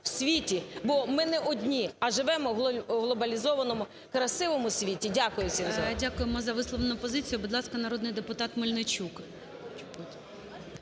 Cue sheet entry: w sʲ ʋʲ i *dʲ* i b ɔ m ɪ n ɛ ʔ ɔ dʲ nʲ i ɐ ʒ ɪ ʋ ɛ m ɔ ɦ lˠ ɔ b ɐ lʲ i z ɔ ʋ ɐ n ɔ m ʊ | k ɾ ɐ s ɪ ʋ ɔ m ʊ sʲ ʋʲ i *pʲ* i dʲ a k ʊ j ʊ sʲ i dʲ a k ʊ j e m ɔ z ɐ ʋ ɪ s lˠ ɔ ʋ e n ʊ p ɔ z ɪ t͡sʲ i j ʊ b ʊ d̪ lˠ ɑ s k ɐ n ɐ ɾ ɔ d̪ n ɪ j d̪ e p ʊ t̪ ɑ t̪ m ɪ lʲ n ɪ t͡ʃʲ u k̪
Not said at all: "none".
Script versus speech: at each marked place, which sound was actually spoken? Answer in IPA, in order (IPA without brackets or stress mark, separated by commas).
tʲ, tʲ